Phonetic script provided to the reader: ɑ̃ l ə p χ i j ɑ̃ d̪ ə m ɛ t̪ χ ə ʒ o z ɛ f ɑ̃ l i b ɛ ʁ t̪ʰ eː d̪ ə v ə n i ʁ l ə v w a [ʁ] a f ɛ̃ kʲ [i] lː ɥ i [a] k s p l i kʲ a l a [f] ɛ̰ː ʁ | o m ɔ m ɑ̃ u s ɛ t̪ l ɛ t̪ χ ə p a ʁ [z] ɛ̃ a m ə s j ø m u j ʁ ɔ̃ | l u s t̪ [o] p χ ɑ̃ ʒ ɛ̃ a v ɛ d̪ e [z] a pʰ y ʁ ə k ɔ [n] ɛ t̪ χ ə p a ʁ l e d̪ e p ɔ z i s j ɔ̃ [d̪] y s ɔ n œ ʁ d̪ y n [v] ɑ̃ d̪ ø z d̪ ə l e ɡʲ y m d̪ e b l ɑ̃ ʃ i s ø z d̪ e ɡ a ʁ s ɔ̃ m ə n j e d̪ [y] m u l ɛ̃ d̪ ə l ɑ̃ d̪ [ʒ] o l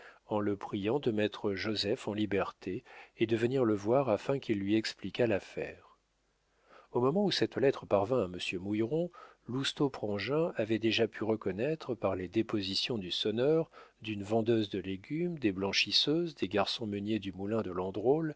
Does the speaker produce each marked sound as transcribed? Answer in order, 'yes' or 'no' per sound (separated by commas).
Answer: yes, yes, no, yes, no, yes, no, yes, yes, yes, yes, no